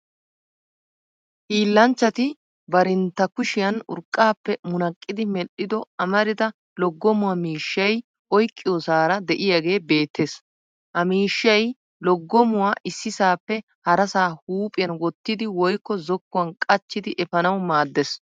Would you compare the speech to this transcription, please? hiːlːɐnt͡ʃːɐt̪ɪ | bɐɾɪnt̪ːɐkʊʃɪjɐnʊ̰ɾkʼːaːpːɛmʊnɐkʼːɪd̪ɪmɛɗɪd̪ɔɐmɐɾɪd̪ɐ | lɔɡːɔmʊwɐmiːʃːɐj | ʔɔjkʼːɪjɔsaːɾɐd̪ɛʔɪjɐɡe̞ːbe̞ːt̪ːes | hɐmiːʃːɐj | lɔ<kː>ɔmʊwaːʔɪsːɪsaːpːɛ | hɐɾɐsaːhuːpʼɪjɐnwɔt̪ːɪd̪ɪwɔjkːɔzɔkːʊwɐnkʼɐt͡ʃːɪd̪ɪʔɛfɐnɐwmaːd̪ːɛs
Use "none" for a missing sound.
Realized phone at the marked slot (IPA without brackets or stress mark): ɡː